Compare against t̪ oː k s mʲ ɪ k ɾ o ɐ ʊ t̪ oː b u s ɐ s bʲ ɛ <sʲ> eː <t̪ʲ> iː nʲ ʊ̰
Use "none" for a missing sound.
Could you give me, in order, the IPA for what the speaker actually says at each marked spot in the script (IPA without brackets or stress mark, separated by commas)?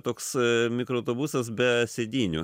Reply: sʲ, d̪ʲ